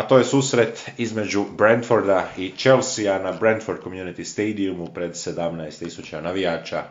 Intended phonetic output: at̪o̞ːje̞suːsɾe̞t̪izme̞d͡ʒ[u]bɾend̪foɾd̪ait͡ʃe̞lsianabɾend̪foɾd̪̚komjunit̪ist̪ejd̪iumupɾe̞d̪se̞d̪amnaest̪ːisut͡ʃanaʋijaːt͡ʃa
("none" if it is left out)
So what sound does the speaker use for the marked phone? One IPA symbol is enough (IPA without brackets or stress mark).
u